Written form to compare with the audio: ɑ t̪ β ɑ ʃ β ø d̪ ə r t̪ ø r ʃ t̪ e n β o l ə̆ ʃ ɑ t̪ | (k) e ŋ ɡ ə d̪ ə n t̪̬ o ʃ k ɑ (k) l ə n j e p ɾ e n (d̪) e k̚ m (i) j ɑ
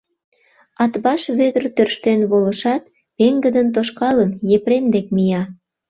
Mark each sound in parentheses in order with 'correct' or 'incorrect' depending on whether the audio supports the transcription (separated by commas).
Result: incorrect, incorrect, correct, correct